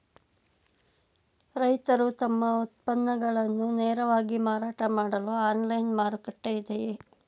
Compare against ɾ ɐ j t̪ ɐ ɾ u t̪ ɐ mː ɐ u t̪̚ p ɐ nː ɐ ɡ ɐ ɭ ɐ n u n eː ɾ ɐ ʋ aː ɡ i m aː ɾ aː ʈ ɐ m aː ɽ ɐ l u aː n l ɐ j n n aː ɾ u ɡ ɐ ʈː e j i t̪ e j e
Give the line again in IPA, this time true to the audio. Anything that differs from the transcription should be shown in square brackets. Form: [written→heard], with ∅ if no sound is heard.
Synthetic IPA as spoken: ɾ ɐ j t̪ ɐ ɾ u t̪ ɐ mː ɐ u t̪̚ p ɐ nː ɐ ɡ ɐ ɭ ɐ [n→nː] u n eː ɾ ɐ ʋ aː ɡ i m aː ɾ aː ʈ ɐ m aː ɽ ɐ l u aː n l ɐ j n [n→m] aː ɾ u [ɡ→k] ɐ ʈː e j i [t̪→d̪] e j e

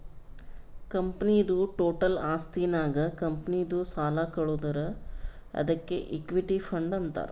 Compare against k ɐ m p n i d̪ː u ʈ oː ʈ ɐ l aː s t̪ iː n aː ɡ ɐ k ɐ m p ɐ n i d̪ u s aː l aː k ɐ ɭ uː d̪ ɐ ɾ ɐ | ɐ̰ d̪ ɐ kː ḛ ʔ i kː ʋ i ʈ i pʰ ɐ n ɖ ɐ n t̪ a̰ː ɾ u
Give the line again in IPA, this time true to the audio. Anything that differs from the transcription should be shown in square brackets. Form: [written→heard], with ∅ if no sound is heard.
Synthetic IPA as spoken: k ɐ m p n i [d̪ː→d̪] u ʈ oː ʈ ɐ l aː s t̪ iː n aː ɡ ɐ k ɐ m p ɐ n i d̪ u s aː l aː k ɐ ɭ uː d̪ ɐ ɾ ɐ | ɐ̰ d̪ ɐ kː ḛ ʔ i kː ʋ i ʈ i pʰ ɐ [n→ɳ] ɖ ɐ n t̪ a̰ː ɾ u

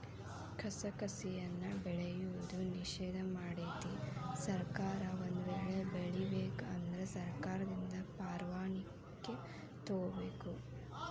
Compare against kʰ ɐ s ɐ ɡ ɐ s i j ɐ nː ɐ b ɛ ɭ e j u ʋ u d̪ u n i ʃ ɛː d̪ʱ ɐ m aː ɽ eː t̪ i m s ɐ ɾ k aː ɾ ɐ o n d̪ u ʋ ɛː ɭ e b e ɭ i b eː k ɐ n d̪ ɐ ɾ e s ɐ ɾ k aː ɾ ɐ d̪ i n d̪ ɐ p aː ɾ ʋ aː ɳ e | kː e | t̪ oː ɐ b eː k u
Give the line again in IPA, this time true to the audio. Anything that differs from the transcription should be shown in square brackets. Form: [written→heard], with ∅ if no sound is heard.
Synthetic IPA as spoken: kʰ ɐ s ɐ [ɡ→k] ɐ s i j ɐ nː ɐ b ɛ ɭ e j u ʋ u d̪ u n i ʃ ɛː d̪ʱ ɐ m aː ɽ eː t̪ i [m→∅] s ɐ ɾ k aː ɾ ɐ o n d̪ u ʋ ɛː ɭ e b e ɭ i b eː k ɐ n d̪ ɐ ɾ e s ɐ ɾ k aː ɾ ɐ d̪ i n d̪ ɐ p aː ɾ ʋ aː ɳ [e→i] | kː e | t̪ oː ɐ b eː k u

